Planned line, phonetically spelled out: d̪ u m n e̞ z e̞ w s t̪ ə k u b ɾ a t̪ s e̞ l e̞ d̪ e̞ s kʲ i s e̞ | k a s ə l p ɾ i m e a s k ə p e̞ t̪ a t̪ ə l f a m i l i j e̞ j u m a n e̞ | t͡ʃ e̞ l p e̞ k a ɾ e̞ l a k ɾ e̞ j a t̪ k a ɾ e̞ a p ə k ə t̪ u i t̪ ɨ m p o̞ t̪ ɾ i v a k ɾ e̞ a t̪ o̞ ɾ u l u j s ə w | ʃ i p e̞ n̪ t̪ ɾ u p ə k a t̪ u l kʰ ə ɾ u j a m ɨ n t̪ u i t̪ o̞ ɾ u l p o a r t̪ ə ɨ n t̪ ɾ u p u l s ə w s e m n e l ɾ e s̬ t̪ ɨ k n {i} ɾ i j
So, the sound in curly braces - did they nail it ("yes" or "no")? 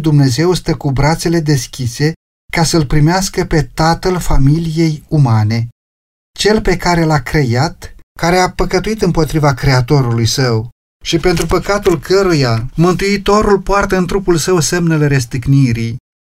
yes